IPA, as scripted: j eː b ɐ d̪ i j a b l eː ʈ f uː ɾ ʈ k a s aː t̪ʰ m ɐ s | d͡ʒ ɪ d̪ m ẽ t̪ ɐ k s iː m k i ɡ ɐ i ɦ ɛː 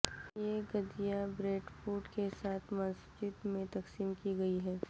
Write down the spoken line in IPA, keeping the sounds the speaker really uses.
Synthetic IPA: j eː ɡ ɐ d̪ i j a b ɾ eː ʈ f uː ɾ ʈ k e s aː t̪ʰ m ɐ s | d͡ʒ ɪ d̪ m ẽ t̪ ɐ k s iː m k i ɡ ɐ i ɦ ɛː